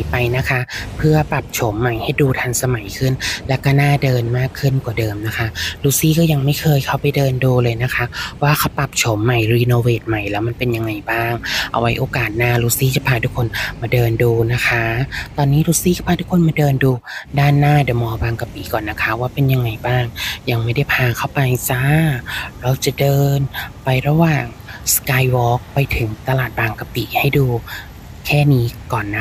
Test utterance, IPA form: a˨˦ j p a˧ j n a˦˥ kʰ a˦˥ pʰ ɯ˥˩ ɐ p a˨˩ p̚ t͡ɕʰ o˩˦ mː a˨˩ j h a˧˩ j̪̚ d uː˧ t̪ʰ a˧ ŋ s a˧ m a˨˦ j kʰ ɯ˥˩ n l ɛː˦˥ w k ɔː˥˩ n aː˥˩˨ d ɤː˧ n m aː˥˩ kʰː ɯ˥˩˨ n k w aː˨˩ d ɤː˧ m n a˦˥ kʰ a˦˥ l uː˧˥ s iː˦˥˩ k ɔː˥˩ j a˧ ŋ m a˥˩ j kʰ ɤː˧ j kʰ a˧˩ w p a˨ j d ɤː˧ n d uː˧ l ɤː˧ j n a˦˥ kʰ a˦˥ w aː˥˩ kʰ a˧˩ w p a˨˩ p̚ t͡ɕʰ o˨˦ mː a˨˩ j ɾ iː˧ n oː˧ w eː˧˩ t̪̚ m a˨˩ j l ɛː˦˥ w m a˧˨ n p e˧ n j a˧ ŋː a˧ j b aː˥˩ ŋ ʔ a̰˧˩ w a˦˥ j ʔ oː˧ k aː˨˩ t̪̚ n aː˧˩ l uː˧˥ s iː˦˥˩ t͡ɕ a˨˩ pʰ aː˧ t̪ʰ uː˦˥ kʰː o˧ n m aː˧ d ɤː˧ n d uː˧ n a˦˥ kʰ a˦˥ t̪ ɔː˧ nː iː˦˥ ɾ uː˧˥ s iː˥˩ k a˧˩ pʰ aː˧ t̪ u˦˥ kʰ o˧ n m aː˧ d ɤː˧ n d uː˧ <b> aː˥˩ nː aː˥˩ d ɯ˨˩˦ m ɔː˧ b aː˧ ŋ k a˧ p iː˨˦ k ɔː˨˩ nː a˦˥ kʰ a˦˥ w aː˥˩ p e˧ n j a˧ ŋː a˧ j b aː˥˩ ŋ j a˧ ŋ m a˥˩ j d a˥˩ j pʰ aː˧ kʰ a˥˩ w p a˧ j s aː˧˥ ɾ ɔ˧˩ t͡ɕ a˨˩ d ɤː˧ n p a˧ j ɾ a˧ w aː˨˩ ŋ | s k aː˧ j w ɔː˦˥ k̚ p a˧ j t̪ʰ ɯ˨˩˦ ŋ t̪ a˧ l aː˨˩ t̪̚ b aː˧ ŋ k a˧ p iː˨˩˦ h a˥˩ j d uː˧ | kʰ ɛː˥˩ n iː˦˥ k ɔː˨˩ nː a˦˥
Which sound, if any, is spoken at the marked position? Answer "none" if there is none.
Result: d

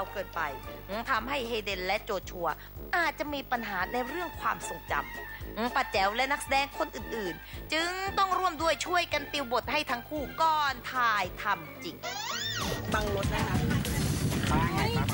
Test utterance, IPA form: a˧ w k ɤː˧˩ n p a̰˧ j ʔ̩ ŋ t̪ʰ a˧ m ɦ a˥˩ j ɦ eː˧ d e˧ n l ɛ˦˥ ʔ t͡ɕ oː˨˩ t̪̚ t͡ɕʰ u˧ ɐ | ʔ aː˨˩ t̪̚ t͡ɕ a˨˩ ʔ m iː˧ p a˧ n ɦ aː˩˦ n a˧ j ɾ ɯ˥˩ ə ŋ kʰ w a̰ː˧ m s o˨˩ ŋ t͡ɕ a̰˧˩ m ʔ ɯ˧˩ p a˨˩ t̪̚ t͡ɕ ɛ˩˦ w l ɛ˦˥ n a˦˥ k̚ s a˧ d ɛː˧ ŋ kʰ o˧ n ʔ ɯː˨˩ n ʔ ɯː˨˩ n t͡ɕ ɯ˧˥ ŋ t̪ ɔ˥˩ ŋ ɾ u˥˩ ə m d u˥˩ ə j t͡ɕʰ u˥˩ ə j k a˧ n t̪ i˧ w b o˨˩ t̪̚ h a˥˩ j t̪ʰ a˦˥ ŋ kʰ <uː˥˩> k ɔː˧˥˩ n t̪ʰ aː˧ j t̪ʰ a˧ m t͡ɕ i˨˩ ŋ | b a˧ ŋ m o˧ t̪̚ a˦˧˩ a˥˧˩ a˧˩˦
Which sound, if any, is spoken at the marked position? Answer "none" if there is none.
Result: uː˥˩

